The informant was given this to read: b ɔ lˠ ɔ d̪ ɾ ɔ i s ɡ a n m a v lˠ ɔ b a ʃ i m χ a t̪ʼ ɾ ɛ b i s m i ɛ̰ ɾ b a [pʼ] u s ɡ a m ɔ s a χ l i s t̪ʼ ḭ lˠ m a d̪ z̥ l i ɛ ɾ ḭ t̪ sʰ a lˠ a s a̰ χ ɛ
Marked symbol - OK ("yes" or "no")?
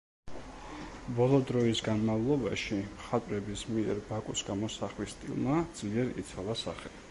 no